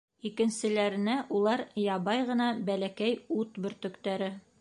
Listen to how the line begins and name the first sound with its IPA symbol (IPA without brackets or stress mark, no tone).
i